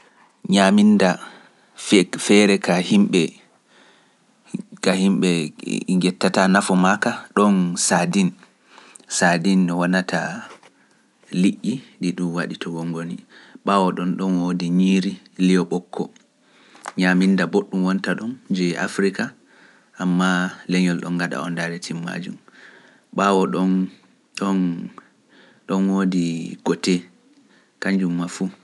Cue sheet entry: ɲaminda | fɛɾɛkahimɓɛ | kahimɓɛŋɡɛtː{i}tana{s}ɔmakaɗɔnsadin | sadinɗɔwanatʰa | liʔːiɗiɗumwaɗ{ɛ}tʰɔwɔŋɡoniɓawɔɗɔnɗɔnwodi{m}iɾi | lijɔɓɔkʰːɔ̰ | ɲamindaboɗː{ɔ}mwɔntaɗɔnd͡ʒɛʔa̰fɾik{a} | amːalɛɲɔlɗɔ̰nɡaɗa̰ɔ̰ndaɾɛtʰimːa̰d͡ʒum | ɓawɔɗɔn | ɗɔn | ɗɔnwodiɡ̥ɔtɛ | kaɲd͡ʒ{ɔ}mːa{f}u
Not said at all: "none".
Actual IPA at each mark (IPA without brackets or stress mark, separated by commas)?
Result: a, f, i, ɲ, u, a, u, f